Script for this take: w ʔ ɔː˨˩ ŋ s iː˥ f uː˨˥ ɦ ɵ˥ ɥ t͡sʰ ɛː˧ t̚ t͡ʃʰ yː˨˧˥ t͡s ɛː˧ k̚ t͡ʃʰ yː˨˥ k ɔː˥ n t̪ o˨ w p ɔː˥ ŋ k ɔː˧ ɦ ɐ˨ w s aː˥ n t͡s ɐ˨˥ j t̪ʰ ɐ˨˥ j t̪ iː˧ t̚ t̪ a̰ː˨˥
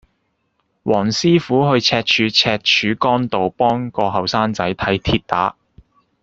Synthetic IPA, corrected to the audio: w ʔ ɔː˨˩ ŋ s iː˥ f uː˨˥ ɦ ɵ˧ ɥ t͡sʰ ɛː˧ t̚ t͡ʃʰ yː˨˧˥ t͡sʰ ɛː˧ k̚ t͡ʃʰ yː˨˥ k ɔː˥ n t̪ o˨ w p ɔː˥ ŋ k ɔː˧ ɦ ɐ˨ w s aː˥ n t͡s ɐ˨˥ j t̪ʰ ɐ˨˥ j t̪ʰ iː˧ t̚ t̪ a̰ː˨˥